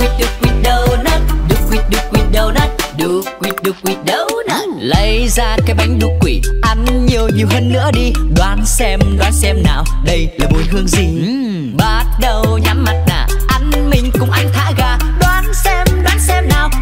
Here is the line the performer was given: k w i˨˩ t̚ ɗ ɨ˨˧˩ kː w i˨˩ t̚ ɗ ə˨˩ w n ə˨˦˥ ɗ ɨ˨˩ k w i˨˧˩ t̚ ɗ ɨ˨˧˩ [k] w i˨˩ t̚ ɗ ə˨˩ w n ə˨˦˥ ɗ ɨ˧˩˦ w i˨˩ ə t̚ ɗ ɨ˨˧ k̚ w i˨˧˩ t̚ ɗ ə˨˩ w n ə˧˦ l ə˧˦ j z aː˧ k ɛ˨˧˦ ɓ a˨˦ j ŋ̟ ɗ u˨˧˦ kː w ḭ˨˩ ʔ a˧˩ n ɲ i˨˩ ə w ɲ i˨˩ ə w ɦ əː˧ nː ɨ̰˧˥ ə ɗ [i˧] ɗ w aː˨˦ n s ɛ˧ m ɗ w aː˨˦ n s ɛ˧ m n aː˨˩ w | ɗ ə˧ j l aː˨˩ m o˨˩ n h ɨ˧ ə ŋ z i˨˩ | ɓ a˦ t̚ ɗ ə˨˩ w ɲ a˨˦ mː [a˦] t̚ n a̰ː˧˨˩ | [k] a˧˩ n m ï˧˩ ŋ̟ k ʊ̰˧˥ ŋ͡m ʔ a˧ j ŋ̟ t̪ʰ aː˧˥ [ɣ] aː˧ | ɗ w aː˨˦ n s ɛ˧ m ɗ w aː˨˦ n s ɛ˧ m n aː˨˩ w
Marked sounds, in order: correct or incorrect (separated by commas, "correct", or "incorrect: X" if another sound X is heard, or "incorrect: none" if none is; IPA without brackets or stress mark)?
correct, correct, incorrect: a˨˩, incorrect: ʔ, correct